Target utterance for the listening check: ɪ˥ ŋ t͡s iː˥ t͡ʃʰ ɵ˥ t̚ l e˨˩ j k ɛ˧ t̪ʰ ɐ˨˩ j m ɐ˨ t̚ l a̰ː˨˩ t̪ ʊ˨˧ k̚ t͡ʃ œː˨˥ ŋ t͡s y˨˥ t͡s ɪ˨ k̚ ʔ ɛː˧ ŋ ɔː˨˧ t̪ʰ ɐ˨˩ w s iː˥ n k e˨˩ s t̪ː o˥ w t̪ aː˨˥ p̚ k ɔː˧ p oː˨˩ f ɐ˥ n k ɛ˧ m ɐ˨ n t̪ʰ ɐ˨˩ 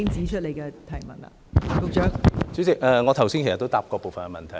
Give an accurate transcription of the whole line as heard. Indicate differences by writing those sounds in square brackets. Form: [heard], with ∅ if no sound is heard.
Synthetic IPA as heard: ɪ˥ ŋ t͡s [iː˨˥] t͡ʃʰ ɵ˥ t̚ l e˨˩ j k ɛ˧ t̪ʰ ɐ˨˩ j m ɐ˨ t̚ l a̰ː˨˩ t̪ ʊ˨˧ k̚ t͡ʃ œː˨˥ ŋ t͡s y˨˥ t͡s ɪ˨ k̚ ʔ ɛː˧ ŋ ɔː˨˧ t̪ʰ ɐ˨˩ w s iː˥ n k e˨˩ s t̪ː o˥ w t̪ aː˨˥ p̚ k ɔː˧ p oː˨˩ f [ɐ˨] n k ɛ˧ m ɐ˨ n t̪ʰ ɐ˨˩